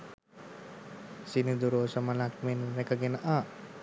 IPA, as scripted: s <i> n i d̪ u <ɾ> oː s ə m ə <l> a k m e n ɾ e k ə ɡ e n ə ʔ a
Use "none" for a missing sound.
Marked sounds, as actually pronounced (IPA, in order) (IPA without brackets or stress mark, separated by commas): i, ɾ, l